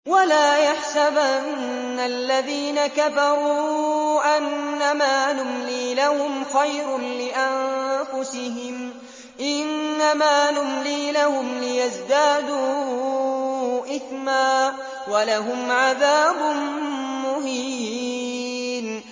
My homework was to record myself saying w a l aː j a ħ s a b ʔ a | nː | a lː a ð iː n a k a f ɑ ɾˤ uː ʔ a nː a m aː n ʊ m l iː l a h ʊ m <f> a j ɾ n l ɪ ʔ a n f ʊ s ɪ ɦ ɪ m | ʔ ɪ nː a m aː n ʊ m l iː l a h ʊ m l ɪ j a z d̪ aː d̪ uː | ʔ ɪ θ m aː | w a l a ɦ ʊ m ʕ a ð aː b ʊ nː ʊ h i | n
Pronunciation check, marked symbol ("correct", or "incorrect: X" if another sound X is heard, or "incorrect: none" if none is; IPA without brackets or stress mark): incorrect: x